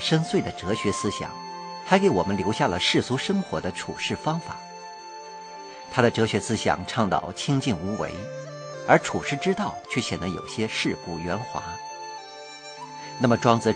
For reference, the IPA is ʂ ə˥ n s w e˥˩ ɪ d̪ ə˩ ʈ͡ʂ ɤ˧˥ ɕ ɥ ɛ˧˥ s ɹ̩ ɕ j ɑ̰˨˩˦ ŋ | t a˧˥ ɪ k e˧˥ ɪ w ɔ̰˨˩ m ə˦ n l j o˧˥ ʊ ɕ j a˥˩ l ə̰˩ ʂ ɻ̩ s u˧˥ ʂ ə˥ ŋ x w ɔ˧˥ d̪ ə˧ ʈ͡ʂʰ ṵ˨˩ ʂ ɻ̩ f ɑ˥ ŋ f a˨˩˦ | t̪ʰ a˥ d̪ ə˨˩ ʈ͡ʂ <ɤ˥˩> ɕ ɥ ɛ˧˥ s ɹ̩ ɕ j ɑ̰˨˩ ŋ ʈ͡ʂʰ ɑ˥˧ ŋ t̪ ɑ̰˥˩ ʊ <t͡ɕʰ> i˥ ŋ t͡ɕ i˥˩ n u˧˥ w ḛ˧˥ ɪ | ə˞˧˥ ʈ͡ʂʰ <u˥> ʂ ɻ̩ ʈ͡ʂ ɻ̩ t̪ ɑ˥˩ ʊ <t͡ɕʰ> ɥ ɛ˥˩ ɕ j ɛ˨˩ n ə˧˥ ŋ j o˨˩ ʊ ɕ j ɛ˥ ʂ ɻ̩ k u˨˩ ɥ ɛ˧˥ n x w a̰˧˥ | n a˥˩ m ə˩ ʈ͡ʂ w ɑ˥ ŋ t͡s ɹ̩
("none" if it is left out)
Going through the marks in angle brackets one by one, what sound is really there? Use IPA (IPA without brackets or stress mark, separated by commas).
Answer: ɤ˧˥, t͡ɕʰ, u˨˩, t͡ɕʰ